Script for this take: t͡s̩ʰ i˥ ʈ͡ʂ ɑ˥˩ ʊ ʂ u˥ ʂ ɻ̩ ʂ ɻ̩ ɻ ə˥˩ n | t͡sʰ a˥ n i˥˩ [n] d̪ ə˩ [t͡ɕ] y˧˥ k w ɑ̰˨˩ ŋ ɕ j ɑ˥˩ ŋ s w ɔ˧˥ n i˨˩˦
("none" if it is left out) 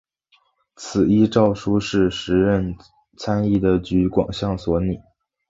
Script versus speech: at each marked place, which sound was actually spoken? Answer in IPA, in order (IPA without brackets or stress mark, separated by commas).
none, t͡ɕ